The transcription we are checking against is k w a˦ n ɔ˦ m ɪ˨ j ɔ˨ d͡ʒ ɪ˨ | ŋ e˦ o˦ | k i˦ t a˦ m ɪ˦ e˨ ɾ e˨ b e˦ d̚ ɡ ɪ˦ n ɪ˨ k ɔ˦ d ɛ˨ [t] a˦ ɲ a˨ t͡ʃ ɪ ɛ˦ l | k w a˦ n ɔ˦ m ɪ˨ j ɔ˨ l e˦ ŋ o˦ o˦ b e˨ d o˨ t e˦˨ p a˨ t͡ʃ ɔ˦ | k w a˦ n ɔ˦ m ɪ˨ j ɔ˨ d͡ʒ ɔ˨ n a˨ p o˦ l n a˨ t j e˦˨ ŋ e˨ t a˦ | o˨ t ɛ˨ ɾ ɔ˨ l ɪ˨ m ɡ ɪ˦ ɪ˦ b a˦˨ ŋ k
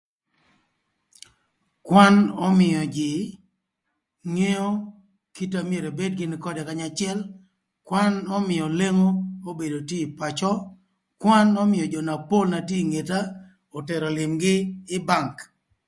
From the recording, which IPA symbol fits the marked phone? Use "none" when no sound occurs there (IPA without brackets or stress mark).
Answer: k